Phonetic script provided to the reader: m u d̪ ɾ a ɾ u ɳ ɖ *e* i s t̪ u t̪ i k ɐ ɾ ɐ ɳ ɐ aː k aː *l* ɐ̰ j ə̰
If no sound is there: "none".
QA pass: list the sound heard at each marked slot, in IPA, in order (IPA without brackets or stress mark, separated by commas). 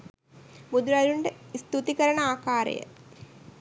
e, ɾ